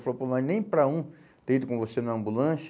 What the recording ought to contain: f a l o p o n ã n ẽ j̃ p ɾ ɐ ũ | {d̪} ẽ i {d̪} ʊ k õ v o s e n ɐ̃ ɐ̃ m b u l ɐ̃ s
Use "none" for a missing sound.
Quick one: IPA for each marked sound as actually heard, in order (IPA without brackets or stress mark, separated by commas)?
t̪, d̪